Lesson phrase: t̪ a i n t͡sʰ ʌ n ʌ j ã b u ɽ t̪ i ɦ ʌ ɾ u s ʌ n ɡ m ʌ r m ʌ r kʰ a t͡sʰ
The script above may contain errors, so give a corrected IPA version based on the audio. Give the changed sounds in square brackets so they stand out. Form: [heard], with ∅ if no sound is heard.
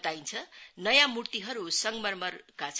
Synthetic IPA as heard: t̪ a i n t͡sʰ ʌ n ʌ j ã [m] u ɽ t̪ i ɦ ʌ ɾ u s ʌ [ŋ] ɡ m ʌ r m ʌ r [k] a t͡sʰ